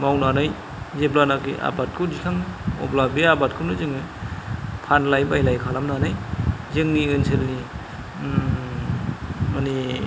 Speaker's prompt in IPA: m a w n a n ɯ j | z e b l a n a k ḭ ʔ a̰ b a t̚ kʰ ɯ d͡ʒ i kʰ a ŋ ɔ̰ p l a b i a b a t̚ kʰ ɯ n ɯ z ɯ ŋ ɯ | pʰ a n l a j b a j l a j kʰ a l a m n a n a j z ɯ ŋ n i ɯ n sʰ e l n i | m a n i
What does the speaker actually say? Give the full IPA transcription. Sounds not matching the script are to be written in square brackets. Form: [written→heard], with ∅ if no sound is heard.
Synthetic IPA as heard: m a w n a n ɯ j | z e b l a n a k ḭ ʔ a̰ b a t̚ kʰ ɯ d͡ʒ i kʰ a ŋ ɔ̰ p l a b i a b a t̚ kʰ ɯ n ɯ z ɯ ŋ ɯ | pʰ a n l a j b a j l a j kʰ a l a m n a n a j z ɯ ŋ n i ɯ n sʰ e l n i | m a n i